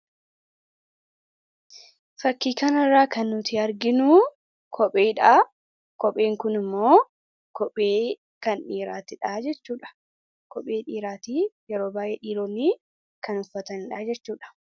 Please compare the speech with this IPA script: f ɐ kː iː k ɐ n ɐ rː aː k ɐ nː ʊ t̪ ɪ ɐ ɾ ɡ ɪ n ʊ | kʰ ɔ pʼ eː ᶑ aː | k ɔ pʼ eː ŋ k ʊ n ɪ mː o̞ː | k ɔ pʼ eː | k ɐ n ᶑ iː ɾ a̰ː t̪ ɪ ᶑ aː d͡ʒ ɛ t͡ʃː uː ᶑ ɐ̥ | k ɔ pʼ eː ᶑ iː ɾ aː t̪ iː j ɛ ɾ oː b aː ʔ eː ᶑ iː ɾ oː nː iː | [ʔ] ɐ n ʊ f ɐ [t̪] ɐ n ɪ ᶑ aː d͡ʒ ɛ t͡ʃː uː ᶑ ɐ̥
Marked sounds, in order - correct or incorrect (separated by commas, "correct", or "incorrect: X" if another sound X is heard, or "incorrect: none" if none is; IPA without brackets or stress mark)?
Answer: incorrect: k, correct